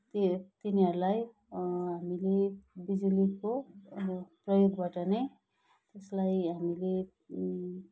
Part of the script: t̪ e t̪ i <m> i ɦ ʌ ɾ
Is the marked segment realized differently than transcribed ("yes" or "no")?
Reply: yes